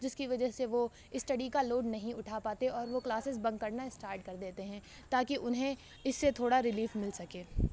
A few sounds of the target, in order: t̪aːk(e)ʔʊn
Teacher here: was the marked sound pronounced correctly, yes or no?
no